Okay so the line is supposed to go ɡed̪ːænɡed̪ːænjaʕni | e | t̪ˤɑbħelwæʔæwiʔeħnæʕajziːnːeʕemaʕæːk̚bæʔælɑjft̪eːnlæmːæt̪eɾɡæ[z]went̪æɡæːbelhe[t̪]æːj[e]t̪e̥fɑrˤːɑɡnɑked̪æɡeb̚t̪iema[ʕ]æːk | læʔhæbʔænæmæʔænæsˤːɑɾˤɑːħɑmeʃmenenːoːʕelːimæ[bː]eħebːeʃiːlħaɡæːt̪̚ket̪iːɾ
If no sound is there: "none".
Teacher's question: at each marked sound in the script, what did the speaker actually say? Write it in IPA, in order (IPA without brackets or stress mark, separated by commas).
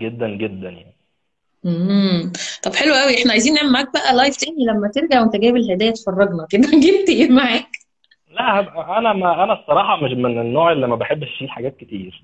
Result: ʕ, d̪, æ, ʕ, b